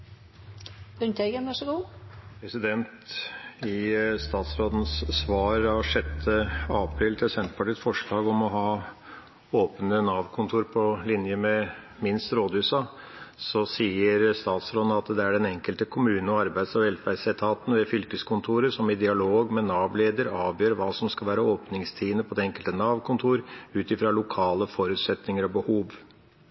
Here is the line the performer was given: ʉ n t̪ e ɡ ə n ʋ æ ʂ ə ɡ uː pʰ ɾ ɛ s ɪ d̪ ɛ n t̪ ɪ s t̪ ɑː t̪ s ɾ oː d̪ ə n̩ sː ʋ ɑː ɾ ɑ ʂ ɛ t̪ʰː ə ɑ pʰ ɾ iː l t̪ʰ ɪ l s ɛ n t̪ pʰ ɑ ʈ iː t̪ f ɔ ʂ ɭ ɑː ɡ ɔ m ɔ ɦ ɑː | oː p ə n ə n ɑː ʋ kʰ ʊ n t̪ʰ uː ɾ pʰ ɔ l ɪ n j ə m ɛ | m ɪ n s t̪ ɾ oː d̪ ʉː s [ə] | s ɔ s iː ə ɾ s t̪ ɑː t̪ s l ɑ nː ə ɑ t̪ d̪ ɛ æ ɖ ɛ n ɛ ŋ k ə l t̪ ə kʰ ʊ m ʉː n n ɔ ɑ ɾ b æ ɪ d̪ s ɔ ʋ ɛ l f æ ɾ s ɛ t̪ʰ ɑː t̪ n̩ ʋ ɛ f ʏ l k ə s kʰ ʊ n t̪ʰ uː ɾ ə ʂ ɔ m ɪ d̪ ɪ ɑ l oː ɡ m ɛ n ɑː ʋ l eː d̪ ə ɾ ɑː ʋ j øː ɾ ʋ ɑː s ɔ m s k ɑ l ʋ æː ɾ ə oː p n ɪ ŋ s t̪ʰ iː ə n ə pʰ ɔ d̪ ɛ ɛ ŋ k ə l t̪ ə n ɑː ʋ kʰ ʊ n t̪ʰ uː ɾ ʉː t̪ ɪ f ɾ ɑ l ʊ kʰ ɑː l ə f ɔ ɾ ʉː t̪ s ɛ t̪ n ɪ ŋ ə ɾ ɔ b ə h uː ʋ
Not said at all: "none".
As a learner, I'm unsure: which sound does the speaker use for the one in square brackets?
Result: ɑ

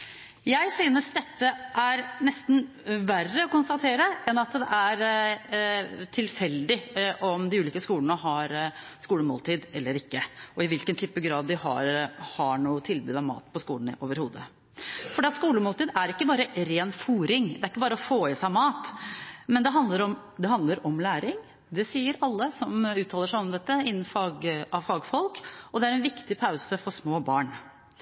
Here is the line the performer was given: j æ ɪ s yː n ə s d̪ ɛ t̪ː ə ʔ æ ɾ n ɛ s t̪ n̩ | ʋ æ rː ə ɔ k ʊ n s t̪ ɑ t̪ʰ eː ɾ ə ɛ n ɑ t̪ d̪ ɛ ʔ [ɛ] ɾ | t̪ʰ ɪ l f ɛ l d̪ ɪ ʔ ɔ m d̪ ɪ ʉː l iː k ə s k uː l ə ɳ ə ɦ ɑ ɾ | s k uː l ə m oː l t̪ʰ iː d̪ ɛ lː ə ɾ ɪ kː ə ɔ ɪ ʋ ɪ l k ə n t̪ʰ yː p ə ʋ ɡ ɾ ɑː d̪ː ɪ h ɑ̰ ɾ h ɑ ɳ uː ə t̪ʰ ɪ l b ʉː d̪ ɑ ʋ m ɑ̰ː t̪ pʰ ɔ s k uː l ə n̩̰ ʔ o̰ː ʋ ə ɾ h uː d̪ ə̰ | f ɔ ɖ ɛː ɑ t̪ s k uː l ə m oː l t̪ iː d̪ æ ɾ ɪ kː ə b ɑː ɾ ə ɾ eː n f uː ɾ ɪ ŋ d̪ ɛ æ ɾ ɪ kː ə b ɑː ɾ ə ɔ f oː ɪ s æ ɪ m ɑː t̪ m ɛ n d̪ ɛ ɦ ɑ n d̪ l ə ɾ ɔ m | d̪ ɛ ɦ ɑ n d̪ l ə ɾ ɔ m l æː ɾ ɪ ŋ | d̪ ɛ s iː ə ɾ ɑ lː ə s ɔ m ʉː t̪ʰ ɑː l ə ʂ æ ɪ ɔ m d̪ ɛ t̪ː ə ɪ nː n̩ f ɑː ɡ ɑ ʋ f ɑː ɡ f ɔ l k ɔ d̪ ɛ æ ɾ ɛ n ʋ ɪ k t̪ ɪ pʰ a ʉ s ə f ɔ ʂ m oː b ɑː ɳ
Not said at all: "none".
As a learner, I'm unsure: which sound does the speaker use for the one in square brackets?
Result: æ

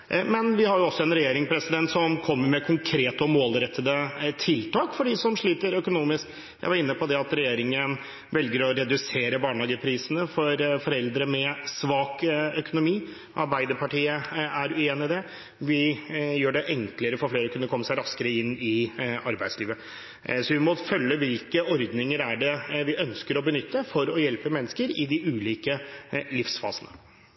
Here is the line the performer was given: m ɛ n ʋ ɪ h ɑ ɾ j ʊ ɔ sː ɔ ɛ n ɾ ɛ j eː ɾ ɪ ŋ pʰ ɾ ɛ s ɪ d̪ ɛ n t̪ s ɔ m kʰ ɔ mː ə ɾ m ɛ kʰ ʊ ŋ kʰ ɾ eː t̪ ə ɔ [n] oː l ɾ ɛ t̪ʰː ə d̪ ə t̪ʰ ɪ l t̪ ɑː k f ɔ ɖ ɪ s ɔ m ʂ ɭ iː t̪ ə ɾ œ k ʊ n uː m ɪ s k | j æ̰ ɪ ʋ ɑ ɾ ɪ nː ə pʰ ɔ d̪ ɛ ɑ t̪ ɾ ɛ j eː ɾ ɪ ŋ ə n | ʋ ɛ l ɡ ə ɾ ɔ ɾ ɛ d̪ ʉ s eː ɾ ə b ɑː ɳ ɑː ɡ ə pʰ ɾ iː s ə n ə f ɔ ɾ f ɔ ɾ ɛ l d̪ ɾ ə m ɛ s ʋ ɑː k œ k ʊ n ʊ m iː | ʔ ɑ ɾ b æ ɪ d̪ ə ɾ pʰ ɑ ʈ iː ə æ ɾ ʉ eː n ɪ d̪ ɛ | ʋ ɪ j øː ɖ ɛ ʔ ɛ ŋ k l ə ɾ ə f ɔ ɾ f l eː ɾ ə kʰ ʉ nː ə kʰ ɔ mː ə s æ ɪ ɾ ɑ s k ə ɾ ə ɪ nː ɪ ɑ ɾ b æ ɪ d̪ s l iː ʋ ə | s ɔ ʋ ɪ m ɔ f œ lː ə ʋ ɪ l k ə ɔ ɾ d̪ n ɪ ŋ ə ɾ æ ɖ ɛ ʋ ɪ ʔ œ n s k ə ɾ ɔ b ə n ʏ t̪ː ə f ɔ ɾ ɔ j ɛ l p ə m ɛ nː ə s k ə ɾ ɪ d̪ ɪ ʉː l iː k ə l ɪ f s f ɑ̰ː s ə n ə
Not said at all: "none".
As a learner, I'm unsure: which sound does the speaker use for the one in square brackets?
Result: m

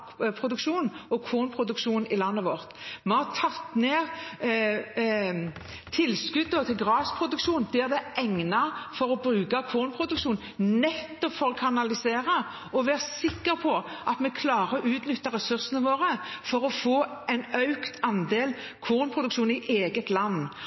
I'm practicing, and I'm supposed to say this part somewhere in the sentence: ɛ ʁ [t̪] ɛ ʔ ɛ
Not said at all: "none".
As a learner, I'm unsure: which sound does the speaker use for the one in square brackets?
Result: d̪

